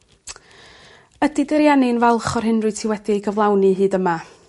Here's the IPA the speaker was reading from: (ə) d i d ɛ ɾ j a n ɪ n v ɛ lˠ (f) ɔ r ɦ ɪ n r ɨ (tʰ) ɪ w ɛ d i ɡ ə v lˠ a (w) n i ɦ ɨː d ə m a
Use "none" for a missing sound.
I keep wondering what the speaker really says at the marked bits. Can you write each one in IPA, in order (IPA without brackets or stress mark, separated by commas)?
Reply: ə, χ, tʰ, w